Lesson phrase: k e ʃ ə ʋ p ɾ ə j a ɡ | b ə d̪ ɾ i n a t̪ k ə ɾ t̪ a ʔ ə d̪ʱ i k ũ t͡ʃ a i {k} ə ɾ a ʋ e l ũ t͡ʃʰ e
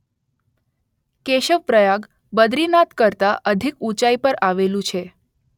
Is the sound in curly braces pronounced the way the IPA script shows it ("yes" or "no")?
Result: no